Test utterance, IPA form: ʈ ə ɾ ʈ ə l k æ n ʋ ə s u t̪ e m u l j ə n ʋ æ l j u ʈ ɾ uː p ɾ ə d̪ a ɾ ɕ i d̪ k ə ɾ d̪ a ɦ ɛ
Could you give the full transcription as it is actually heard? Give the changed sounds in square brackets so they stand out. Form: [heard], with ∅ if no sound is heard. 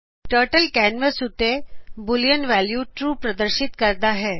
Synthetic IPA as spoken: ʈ ə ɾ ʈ ə l k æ n ʋ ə s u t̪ e [b] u l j ə n ʋ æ l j u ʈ ɾ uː p ɾ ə d̪ [ə] ɾ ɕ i [t̪] k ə ɾ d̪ a ɦ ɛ

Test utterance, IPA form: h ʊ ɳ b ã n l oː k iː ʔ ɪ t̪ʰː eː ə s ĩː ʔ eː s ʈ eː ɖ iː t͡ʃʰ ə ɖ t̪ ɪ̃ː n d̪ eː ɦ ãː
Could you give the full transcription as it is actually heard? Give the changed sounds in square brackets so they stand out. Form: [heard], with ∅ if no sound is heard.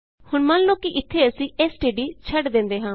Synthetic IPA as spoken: h ʊ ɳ [m] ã n l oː k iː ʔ ɪ t̪ʰː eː ə s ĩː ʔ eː s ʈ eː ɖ iː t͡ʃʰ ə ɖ [d̪] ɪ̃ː n d̪ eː ɦ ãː

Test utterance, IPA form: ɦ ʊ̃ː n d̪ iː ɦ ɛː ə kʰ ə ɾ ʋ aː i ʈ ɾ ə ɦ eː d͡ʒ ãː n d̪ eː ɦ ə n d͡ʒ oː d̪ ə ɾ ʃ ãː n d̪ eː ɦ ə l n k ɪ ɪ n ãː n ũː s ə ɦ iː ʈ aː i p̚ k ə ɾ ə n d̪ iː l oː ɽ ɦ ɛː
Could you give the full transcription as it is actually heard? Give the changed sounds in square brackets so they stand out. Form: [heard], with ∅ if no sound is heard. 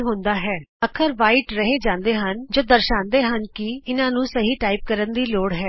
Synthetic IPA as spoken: ɦ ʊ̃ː n d̪ [aː] ɦ ɛː ə kʰ ə ɾ ʋ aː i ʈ ɾ ə ɦ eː d͡ʒ ãː n d̪ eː ɦ ə n d͡ʒ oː d̪ ə ɾ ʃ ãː n d̪ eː ɦ ə [∅] n k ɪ ɪ n ãː n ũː s ə ɦ iː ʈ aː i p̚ k ə ɾ ə n d̪ iː l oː ɽ ɦ ɛː

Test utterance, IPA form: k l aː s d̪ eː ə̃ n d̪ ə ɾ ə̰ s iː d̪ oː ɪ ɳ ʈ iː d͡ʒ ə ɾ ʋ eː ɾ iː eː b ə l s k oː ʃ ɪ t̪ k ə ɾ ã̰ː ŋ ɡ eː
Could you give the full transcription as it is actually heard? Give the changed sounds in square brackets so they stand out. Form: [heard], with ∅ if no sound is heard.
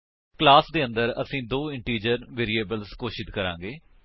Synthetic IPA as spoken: k l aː s d̪ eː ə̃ n d̪ ə ɾ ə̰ s [ĩː] d̪ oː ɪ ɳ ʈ iː d͡ʒ ə ɾ ʋ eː ɾ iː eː b ə l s k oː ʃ ɪ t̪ k ə ɾ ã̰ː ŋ ɡ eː

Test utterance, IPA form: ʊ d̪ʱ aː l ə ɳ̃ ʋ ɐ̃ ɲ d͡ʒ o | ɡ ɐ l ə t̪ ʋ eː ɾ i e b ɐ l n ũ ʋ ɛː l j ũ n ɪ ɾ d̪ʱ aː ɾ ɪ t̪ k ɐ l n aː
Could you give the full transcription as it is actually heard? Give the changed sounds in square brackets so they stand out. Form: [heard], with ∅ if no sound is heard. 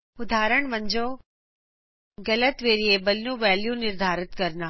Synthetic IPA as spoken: ʊ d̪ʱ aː [ɾ] ə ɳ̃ ʋ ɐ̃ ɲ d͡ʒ o | ɡ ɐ l ə t̪ ʋ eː ɾ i e b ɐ l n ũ ʋ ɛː l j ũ n ɪ ɾ d̪ʱ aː ɾ ɪ t̪ k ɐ [ɾ] n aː

